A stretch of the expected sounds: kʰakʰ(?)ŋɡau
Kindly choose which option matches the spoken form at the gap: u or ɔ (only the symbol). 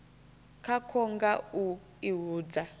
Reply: ɔ